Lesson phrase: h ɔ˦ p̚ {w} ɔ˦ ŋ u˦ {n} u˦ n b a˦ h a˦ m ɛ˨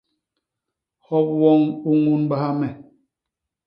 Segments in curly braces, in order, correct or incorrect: correct, incorrect: ŋ

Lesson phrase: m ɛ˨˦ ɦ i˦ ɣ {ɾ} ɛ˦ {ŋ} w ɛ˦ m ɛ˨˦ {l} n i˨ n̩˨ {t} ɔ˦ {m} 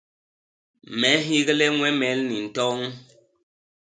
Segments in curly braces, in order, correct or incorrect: incorrect: l, correct, correct, correct, incorrect: ŋ

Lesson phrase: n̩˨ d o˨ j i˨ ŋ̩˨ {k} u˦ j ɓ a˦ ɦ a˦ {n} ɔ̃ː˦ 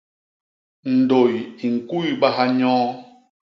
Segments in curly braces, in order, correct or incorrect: correct, incorrect: ɲ

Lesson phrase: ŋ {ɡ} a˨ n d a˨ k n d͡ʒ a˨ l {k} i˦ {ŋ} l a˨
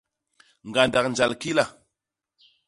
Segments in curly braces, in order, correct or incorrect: correct, correct, incorrect: none

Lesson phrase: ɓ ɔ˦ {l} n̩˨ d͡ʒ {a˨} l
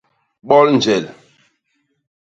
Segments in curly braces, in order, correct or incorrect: correct, incorrect: ɛ˨

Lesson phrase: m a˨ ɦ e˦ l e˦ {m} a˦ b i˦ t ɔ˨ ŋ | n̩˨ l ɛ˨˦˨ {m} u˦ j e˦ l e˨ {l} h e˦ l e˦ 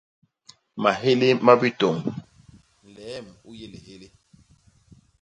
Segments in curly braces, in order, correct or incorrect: correct, correct, incorrect: none

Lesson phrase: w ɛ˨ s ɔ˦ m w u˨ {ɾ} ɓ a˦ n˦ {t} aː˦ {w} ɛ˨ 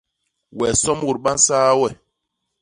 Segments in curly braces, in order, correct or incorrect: correct, incorrect: s, correct

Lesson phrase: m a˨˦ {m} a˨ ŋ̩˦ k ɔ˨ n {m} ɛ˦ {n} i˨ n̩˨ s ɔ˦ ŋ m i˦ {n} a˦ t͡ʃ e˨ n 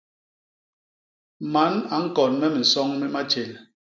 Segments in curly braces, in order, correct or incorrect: incorrect: n, correct, incorrect: m, incorrect: m

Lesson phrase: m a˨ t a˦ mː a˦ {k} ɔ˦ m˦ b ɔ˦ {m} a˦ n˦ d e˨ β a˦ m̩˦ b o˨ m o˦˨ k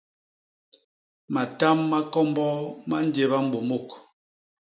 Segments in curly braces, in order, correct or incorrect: correct, correct

